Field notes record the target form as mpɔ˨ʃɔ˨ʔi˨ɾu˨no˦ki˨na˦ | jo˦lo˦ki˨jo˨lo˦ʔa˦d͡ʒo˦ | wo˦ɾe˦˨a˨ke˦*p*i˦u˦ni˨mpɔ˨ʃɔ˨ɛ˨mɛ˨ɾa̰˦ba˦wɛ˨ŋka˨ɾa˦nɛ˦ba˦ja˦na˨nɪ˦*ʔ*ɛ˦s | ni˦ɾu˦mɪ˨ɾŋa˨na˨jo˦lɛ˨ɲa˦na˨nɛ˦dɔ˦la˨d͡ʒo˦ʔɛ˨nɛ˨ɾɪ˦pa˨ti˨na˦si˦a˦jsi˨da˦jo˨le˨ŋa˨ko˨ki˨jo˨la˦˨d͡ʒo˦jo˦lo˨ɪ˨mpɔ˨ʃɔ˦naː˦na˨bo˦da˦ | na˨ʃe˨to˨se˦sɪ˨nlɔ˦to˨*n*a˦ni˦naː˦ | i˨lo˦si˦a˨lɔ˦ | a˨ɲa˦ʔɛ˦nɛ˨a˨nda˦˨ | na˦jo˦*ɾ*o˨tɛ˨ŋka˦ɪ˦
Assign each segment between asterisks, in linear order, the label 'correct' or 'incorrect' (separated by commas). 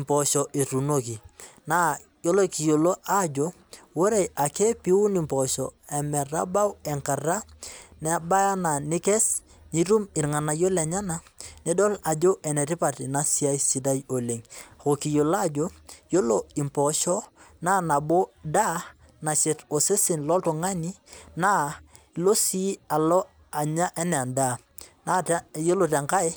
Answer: correct, incorrect, incorrect, incorrect